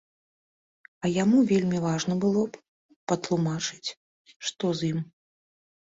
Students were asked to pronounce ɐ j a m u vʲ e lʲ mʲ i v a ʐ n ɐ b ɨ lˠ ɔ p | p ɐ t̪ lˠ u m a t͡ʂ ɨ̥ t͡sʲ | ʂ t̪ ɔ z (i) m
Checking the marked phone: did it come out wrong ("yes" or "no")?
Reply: no